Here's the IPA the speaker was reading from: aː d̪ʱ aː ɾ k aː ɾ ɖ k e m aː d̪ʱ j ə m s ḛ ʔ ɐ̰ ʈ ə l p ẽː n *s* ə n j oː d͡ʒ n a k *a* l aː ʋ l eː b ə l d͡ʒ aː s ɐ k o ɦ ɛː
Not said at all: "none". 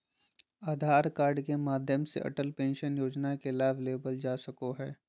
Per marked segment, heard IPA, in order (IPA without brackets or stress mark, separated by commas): ʃ, e